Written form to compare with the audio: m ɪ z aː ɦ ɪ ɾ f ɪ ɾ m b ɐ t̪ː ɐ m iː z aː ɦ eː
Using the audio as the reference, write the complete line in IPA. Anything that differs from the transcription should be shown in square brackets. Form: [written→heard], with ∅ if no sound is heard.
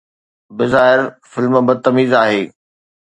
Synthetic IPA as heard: [m→b] ɪ z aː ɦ ɪ ɾ f ɪ [ɾ→l] m b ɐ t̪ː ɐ m iː z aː ɦ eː